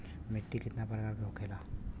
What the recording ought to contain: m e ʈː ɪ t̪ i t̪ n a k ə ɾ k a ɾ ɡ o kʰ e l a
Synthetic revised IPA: m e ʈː i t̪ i t̪ n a p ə ɾ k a ɾ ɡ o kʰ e l a